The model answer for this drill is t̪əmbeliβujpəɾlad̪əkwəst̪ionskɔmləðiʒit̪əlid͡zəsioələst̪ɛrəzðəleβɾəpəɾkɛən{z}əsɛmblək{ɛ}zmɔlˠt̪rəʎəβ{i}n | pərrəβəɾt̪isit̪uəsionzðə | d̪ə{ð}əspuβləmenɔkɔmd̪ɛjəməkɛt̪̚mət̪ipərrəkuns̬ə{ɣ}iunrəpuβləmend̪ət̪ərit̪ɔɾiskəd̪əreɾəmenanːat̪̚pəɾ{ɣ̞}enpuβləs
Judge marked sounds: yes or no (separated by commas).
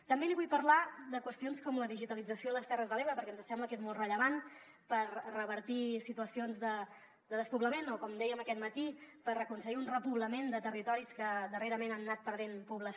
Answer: yes, no, no, yes, yes, no